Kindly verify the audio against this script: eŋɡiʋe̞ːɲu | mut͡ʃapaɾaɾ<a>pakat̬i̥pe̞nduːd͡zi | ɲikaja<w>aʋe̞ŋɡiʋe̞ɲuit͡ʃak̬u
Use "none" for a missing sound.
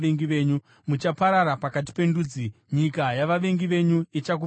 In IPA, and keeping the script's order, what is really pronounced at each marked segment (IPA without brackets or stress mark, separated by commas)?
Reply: a, ʋ